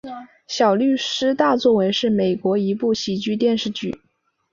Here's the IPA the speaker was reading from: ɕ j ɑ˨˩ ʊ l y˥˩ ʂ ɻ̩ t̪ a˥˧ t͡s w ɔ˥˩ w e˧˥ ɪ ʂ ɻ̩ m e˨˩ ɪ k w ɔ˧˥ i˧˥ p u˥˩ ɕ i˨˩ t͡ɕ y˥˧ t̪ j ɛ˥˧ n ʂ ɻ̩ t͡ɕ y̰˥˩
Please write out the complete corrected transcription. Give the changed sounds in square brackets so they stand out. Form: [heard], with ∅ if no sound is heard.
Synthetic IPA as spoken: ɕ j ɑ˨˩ ʊ l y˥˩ ʂ ɻ̩ t̪ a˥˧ t͡s w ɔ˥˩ w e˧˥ ɪ ʂ ɻ̩ m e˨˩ ɪ k w ɔ˧˥ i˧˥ p u˥˩ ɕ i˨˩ t͡ɕ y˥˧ t̪ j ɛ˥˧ n ʂ ɻ̩ t͡ɕ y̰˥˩